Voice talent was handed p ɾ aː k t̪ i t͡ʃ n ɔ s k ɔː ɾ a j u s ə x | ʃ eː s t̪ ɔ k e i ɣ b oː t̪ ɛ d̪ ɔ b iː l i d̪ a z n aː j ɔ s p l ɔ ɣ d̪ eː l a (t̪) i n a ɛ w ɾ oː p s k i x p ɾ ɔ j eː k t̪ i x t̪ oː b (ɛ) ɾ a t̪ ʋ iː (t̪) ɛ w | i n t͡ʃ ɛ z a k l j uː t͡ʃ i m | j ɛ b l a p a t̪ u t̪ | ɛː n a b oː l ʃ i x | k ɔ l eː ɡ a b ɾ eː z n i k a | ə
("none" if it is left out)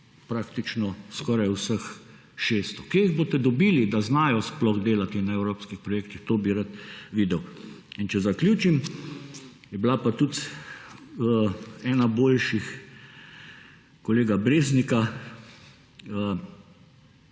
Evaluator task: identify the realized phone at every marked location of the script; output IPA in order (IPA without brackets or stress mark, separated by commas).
t̪, i, d̪